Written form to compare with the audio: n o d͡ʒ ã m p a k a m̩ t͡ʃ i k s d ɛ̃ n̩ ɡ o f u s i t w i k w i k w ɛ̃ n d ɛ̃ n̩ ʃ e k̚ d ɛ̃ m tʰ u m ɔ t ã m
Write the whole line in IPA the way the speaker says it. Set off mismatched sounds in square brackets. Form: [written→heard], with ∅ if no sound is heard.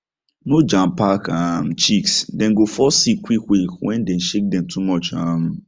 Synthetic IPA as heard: n o d͡ʒ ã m p a k a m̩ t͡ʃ i k s d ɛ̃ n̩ ɡ o f [u→ɔ] s i [t→k] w i k w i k w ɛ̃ n d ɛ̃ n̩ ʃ e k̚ d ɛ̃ m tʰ u m ɔ [t→t͡ʃ] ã m